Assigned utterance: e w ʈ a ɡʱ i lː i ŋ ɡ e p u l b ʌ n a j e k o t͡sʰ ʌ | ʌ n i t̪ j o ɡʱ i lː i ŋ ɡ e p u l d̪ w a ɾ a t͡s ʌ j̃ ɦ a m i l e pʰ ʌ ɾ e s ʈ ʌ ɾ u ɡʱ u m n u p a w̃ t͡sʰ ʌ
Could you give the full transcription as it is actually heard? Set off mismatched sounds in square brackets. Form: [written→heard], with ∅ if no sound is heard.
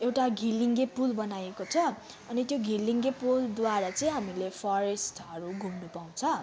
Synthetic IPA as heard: e w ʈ a ɡʱ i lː i ŋ ɡ e p u l b ʌ n a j e k o t͡sʰ ʌ | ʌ n i t̪ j o ɡʱ i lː i ŋ ɡ e p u l d̪ w a ɾ a t͡s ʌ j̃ ɦ a m i l e pʰ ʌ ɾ e s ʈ ʌ ɾ u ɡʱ u m n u p a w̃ t͡sʰ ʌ